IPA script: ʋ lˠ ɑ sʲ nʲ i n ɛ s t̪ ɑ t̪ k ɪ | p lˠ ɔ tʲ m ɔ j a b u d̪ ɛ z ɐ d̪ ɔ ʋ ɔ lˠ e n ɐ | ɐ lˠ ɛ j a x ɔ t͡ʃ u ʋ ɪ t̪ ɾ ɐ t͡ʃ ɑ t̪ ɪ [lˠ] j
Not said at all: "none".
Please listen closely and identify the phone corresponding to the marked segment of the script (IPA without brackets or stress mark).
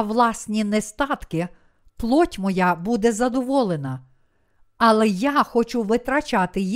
none